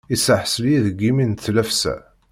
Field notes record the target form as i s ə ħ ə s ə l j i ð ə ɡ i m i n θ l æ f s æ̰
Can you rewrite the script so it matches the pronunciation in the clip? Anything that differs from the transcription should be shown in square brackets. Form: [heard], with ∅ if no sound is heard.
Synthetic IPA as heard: i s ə ħ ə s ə l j i ð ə ɡ i m i n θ l æ f s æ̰